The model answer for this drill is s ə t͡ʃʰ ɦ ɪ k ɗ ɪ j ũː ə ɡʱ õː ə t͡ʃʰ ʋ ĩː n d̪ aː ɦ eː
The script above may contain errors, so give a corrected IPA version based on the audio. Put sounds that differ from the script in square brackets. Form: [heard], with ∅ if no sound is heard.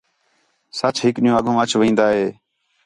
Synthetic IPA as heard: s ə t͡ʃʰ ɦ ɪ k ɗ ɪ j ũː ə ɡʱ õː ə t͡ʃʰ ʋ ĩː n d̪ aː ɦ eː